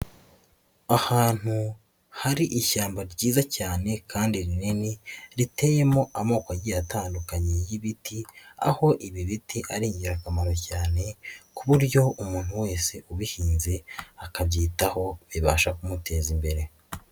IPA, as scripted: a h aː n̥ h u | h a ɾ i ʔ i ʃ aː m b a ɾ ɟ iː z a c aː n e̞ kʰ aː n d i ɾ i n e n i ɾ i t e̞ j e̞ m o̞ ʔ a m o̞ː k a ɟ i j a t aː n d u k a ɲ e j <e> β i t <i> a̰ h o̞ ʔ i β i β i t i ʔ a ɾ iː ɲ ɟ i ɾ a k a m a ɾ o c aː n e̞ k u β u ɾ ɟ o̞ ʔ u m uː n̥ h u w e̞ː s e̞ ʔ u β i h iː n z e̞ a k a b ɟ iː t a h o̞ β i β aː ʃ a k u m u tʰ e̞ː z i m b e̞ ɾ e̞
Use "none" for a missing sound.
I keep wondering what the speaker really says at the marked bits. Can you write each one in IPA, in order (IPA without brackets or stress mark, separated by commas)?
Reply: i, i